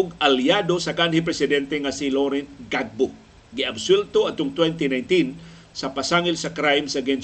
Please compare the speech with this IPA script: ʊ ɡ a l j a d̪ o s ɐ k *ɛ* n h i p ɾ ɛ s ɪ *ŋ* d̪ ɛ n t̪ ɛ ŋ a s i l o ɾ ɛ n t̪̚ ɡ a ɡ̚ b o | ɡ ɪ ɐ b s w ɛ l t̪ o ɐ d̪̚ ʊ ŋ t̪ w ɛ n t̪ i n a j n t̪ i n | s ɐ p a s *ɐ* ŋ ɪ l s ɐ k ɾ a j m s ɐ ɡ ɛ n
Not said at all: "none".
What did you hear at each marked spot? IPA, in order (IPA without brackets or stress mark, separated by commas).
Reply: a, none, a